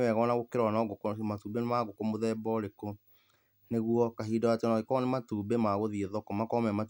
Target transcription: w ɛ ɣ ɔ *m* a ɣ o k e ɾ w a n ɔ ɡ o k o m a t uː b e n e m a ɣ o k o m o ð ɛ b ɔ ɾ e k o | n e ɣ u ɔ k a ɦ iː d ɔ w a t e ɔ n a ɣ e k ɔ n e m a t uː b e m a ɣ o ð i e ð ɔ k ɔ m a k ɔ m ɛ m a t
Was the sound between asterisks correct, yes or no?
no